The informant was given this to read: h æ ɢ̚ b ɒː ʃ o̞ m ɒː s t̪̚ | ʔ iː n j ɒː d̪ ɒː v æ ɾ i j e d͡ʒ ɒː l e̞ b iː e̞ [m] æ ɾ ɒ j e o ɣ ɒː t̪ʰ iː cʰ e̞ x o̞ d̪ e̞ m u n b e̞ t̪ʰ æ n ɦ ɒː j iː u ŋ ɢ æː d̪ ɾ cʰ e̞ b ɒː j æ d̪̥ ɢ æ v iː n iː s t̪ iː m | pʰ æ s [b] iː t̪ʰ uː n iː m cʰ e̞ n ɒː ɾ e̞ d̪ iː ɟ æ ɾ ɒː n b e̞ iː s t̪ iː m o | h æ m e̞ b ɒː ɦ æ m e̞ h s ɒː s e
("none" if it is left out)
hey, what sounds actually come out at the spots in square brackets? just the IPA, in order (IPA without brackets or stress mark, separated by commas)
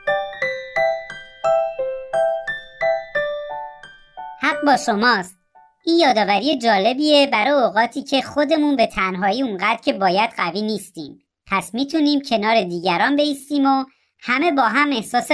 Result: b, m